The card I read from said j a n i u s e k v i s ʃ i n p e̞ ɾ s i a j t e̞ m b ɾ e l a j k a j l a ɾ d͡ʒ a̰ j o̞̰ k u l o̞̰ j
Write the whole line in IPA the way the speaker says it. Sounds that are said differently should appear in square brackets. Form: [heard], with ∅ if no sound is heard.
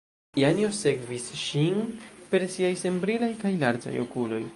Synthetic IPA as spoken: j a n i [o] s e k v i s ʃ i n p e̞ ɾ s i a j [s] e̞ m b ɾ [i] l a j k a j l a ɾ d͡ʒ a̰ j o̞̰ k u l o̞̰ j